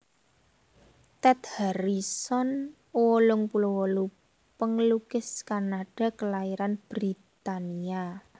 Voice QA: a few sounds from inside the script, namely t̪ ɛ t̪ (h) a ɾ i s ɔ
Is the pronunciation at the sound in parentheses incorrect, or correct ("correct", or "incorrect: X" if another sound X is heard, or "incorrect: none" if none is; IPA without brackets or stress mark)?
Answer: correct